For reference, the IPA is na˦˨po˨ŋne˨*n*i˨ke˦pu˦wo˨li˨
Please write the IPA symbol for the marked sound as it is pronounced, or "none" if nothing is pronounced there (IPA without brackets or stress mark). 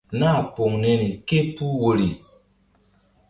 n